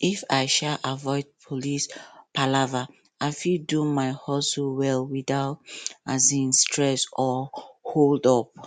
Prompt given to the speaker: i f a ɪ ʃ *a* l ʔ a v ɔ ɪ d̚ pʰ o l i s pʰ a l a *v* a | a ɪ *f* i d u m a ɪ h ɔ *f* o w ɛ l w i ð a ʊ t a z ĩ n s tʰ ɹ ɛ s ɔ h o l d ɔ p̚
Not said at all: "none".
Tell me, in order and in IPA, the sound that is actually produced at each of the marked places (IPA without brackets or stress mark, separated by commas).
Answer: a, v, f, s